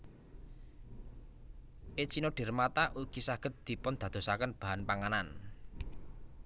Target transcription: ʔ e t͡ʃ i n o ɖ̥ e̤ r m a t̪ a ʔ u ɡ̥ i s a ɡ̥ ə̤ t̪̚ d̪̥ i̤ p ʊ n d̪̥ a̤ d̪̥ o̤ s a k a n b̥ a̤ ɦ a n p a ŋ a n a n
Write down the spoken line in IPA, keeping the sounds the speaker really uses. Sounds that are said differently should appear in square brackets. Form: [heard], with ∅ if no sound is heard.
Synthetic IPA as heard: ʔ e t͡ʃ i n o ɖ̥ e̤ r m a t̪ a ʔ u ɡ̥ i s a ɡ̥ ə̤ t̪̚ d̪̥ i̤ p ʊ n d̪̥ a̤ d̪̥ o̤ s a k [ə] n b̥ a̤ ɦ a n p a ŋ a n a n